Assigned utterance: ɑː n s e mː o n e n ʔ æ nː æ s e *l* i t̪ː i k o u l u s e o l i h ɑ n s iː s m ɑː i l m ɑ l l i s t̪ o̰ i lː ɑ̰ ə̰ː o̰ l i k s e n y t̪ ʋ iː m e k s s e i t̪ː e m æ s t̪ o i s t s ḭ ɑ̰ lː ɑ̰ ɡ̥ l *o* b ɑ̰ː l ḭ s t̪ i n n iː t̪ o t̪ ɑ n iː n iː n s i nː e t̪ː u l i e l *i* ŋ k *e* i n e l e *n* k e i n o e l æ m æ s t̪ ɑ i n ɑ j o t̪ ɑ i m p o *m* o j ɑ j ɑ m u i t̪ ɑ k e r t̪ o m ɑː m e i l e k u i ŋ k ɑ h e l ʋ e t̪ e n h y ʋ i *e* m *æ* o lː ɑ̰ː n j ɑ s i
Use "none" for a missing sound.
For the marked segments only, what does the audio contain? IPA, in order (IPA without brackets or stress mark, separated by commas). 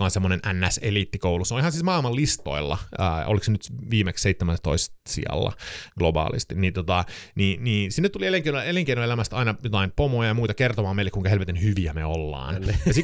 l, o, e, e, ŋ, m, æ, e